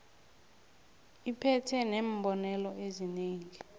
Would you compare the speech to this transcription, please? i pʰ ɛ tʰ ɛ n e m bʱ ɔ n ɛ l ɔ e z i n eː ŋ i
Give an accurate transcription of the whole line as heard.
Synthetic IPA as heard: i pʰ ɛ tʰ ɛ n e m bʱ ɔ n ɛ l ɔ e z i n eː ŋ i